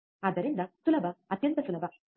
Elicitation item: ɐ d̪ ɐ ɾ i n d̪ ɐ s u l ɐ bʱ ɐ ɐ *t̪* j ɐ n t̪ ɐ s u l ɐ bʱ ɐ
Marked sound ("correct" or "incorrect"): correct